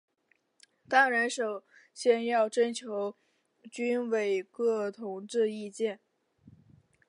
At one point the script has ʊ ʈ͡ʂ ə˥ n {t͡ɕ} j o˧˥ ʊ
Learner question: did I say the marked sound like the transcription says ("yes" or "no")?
no